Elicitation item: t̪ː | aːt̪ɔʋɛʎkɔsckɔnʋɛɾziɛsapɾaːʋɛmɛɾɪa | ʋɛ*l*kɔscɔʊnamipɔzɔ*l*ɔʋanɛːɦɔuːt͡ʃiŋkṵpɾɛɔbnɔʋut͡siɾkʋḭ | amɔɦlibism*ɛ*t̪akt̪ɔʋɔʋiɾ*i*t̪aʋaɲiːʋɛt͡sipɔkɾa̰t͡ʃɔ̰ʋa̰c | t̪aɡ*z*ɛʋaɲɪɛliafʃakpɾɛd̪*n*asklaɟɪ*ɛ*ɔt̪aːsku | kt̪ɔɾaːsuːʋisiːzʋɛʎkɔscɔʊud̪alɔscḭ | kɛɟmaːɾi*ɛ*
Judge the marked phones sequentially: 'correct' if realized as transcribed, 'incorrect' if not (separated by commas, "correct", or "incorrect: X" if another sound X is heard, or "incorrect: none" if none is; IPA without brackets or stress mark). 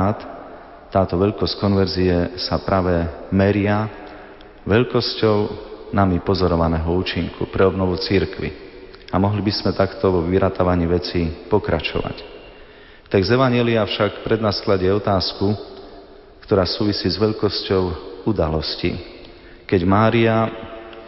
incorrect: ʎ, incorrect: ɾ, correct, incorrect: a, correct, correct, correct, incorrect: a